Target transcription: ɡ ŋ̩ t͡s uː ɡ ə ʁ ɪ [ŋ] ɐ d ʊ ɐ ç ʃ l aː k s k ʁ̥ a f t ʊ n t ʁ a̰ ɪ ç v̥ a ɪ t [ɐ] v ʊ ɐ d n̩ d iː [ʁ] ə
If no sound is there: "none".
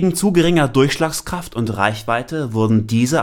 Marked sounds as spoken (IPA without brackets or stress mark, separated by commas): ŋ, ə, z